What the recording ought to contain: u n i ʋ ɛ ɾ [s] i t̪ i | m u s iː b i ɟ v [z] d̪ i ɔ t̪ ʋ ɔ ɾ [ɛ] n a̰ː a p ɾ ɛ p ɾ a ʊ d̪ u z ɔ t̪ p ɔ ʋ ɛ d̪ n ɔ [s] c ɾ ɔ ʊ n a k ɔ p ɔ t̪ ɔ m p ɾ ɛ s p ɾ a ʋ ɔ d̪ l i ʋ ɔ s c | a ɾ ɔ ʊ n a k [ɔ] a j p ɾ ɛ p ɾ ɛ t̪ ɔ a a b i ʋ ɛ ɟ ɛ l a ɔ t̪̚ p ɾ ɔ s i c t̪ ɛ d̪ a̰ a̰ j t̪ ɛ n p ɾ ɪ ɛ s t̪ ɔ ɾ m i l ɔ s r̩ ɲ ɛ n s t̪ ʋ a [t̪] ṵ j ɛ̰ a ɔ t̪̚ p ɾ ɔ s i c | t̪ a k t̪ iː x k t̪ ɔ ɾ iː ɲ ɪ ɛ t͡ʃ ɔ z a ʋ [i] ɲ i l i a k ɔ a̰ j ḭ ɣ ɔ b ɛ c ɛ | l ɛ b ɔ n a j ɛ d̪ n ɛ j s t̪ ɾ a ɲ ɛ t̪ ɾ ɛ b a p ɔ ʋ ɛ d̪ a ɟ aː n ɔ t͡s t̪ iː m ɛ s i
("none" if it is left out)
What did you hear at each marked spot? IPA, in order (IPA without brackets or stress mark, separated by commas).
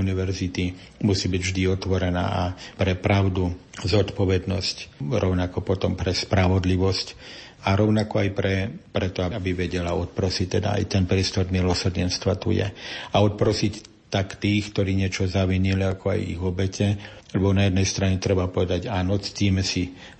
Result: z, ʒ, ɛ, s, ɔ, t̪, i